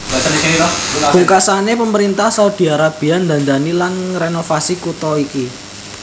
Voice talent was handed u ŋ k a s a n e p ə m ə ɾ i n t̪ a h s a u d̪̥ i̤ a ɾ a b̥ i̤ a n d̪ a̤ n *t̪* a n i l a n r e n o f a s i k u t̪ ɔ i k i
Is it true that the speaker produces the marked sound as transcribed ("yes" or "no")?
no